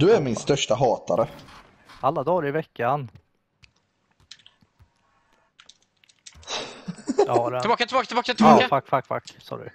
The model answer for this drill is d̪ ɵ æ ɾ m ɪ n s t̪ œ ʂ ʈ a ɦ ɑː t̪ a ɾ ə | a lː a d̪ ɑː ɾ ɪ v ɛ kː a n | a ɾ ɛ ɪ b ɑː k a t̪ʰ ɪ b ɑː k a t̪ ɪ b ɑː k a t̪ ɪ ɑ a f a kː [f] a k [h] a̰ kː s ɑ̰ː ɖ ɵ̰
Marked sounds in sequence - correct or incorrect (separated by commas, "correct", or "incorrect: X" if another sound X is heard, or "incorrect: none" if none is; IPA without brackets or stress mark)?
correct, incorrect: f